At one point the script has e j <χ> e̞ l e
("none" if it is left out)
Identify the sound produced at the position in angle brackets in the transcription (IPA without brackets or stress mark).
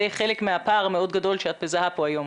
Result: χ